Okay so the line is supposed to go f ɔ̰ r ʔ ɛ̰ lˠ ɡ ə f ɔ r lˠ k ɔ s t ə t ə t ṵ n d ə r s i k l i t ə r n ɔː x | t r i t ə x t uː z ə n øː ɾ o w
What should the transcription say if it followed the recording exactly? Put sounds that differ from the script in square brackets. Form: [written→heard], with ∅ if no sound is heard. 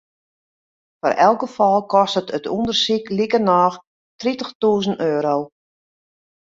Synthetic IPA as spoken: f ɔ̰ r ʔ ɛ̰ lˠ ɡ ə f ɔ [r→∅] lˠ k ɔ s t ə t ə t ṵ n d ə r s i k l i [t→k] ə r n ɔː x | t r i t ə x t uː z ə n øː ɾ o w

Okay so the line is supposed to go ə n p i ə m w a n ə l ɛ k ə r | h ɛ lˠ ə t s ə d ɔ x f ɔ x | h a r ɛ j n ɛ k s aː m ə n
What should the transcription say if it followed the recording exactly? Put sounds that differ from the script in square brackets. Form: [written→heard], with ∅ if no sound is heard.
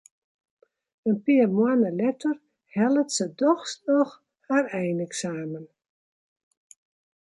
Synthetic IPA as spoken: ə n p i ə m w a n ə l ɛ [k→t] ə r | h ɛ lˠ ə t s ə d ɔ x [f→s] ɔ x | h a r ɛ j n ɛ k s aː m ə n

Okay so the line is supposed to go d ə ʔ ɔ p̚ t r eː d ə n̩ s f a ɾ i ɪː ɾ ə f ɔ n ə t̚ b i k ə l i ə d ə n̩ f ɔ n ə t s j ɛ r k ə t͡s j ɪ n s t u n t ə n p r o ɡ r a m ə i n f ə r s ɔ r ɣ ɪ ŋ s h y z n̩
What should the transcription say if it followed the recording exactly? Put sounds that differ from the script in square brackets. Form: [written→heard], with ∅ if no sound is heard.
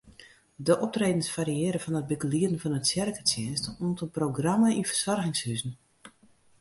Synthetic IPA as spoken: d ə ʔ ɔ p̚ t r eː d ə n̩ s f a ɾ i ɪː ɾ ə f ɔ n ə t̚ b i k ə l i ə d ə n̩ f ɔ n ə t s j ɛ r k ə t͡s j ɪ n s t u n t ə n p r o ɡ r a m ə i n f ə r s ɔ r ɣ ɪ ŋ s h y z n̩

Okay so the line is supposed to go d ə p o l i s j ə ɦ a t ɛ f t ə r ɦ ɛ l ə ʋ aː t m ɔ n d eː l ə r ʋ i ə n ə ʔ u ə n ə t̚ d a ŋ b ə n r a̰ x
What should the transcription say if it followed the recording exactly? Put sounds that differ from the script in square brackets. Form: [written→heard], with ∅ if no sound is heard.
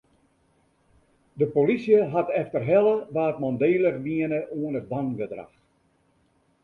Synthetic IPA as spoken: d ə p o l i s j ə ɦ a t ɛ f t ə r ɦ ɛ l ə ʋ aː t m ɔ n d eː l ə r ʋ i ə n ə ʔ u ə n ə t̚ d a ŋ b ə [n→d] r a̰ x

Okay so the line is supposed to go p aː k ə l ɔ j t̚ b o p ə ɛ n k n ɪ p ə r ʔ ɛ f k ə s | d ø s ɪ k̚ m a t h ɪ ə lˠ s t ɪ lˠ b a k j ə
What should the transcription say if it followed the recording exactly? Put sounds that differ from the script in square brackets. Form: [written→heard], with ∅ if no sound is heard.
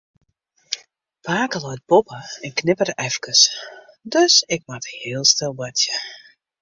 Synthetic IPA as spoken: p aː k ə l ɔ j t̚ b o p ə ɛ n k n ɪ p ə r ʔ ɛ f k ə s | d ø s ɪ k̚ m a t h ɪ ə lˠ s t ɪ lˠ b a [k→t] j ə

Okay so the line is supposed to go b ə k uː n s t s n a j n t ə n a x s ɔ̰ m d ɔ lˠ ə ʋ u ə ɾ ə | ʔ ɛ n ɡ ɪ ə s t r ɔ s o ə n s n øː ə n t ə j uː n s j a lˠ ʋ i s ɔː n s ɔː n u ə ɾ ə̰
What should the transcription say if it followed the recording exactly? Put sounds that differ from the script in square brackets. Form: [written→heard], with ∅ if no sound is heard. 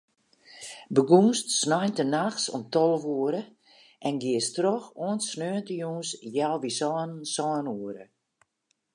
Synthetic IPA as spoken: b ə [k→ɡ] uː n s t s n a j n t ə n a x s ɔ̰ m [d→t] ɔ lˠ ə ʋ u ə ɾ ə | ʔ ɛ n ɡ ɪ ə s t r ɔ [s→x] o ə n s n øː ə n t ə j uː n s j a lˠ ʋ i s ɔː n s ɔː n u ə ɾ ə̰

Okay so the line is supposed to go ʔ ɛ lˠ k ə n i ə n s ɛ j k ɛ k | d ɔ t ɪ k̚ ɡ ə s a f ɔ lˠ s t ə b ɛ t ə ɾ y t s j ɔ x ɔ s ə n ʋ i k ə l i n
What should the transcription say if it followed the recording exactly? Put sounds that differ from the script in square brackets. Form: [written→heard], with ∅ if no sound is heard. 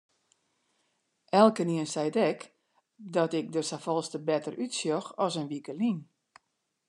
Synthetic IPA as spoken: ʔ ɛ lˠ k ə n i ə n s ɛ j [k→t] ɛ k | d ɔ t ɪ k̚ [ɡ→d] ə s a f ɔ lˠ s t ə b ɛ t ə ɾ y t s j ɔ x ɔ s ə n ʋ i k ə l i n

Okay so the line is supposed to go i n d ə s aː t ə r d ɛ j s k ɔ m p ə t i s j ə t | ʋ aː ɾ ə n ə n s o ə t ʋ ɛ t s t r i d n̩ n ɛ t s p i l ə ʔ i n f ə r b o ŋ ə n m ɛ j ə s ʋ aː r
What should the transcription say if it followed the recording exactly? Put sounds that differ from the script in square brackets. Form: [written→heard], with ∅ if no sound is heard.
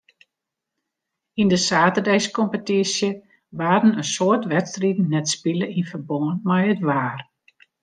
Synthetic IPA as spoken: i n d ə s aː t ə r d ɛ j s k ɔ m p ə t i s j ə [t→∅] | ʋ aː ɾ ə n ə n s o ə t ʋ ɛ t s t r i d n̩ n ɛ t s p i l ə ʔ i n f ə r b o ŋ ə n m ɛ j ə [s→t] ʋ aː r

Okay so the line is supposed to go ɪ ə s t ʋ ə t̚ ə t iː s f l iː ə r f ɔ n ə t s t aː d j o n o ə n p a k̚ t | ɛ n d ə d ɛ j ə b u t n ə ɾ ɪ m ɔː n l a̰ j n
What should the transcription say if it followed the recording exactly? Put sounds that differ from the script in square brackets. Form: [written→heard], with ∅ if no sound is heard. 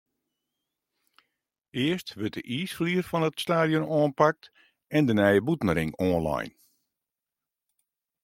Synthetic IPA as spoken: ɪ ə s t ʋ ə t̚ ə [t→ʔ] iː s f l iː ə r f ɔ n ə t s t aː d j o n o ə n p a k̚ t | ɛ n d ə [d→n] ɛ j ə b u t n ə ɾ ɪ [m→ŋ] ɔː n l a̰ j n

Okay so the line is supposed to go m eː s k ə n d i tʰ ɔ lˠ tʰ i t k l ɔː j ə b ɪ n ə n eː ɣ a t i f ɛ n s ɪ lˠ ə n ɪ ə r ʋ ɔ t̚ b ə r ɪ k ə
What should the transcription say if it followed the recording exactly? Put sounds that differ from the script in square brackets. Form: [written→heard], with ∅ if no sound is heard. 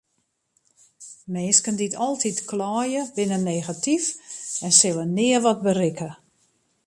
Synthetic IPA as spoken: m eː s k ə n d i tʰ ɔ lˠ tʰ i t k l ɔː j ə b ɪ n ə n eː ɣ a t i f ɛ n s ɪ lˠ ə n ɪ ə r ʋ ɔ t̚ b ə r ɪ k ə

